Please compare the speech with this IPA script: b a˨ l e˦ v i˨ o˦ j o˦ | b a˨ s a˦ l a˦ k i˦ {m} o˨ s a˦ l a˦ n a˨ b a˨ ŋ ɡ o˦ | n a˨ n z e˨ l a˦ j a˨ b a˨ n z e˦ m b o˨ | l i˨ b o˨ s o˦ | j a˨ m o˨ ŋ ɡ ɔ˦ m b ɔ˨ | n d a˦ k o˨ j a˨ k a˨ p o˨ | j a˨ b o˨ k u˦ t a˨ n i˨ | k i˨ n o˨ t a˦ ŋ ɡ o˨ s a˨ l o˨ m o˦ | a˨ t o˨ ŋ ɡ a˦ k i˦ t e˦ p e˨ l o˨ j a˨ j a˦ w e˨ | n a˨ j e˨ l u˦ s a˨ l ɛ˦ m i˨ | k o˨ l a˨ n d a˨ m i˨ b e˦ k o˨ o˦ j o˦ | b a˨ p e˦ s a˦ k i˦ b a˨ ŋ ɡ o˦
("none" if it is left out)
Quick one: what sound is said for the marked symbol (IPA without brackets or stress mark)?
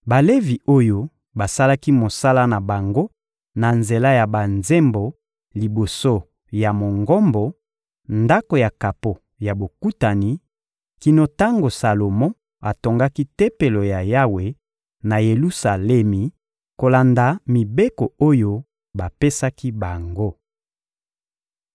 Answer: m